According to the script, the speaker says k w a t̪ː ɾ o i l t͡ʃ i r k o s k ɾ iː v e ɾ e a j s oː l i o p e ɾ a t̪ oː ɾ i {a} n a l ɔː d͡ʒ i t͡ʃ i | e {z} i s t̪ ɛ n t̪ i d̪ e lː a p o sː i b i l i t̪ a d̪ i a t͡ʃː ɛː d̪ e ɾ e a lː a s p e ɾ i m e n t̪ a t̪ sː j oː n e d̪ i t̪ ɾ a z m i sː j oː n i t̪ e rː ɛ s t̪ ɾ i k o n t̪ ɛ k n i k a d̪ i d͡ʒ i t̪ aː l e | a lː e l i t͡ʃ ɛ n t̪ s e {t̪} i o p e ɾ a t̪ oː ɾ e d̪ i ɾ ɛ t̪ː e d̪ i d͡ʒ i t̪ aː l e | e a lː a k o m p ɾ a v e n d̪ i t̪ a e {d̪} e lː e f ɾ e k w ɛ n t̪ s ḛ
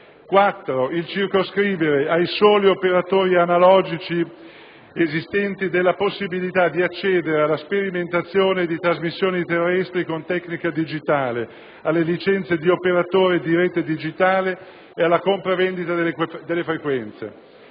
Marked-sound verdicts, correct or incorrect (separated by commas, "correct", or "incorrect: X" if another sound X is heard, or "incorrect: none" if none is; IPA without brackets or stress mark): correct, correct, incorrect: d̪, correct